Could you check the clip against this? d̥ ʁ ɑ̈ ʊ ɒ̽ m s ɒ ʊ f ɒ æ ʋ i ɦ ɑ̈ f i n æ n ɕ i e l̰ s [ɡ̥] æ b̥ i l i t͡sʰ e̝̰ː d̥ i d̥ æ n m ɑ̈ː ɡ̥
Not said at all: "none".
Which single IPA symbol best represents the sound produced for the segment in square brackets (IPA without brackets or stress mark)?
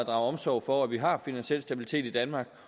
d̥